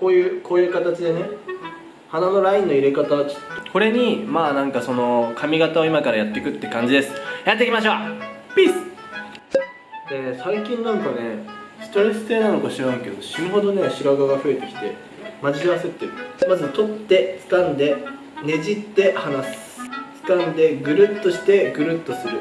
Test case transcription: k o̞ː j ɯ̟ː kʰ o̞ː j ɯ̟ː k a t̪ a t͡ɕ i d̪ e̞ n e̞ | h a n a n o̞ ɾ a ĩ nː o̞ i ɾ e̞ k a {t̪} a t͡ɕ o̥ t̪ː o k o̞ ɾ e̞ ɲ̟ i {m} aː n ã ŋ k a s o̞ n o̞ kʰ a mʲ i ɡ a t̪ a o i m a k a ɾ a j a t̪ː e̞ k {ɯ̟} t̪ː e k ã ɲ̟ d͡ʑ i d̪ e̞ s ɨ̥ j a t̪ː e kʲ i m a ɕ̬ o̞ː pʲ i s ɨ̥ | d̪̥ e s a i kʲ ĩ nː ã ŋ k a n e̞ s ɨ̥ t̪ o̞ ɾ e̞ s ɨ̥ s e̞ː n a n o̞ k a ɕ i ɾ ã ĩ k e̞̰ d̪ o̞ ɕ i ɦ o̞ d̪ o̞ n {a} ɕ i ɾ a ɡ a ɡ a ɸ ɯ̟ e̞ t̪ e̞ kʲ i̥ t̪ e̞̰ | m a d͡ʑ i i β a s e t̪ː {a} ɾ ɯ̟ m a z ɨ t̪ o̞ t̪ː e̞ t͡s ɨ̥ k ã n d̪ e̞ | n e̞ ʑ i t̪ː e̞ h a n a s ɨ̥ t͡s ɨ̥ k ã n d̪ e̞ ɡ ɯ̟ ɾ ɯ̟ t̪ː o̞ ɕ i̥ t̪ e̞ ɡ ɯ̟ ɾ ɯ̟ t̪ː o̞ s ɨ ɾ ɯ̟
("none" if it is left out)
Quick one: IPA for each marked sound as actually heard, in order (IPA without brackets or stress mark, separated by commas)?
t̪, m, ɯ̟, e, e